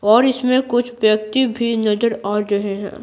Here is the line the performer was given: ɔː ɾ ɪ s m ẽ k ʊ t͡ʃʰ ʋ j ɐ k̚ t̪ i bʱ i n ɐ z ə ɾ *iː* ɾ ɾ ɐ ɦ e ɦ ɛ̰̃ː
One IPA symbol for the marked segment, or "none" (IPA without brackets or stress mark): aː